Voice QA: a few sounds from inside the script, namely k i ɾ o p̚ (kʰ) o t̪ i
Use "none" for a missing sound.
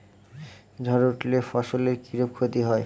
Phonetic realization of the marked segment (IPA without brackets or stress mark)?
kʰ